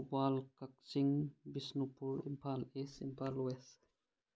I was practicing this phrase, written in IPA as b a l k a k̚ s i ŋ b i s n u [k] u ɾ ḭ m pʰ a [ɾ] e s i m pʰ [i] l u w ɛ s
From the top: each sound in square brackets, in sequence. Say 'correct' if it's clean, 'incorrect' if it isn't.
incorrect, incorrect, incorrect

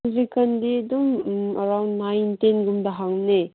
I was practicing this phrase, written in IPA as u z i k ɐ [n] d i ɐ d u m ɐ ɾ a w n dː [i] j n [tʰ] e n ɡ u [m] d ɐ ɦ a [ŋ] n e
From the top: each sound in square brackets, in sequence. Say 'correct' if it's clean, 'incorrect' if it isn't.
correct, incorrect, incorrect, correct, correct

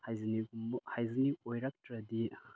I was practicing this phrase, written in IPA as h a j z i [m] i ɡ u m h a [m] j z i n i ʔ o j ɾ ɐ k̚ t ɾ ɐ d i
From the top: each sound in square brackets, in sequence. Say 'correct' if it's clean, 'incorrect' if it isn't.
incorrect, incorrect

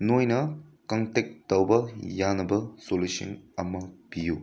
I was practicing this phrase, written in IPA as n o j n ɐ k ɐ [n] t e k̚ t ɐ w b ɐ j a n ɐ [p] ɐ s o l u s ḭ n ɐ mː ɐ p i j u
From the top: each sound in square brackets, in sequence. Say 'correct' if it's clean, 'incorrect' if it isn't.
incorrect, incorrect

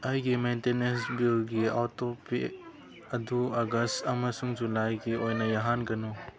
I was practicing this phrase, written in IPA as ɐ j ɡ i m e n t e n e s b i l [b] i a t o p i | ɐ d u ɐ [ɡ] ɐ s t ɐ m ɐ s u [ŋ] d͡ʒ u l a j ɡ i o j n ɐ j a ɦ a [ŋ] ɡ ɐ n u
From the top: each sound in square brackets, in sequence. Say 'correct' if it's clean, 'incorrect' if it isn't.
incorrect, correct, correct, incorrect

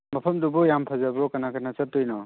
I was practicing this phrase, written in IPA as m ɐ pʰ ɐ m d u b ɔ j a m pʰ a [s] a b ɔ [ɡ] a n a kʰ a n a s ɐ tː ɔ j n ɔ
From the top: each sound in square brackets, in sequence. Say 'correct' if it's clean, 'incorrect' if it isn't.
incorrect, incorrect

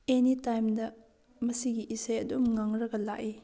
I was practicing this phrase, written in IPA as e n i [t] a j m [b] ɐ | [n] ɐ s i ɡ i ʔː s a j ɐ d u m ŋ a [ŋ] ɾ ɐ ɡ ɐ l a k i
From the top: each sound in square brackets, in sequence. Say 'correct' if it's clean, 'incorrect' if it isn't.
correct, incorrect, incorrect, correct

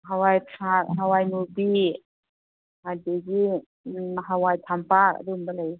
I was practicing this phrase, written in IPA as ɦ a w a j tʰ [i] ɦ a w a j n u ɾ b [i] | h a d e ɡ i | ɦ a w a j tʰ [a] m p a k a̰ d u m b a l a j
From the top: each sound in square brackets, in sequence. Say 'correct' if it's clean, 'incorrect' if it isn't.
incorrect, correct, correct

